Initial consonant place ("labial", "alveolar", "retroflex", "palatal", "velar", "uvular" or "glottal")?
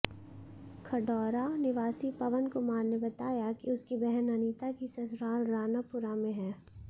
velar